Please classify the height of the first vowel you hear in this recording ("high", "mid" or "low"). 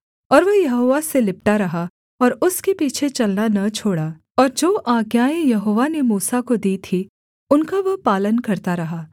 mid